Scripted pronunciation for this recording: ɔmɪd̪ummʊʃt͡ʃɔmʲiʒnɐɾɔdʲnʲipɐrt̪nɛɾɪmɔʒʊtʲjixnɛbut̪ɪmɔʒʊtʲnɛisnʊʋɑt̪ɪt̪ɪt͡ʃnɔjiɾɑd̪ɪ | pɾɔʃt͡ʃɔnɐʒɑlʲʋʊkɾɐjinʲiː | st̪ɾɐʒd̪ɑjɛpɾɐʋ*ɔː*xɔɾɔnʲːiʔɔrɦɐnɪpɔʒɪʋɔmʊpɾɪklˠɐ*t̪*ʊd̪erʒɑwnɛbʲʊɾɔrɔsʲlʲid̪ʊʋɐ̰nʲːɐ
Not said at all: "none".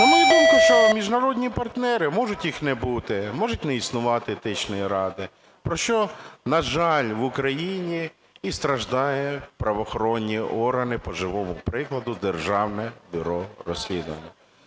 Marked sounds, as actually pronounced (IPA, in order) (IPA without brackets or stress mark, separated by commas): ɔ, d̪